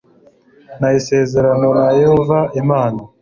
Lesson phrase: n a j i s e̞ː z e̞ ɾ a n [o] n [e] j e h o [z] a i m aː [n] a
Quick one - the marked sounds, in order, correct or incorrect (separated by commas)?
correct, incorrect, incorrect, correct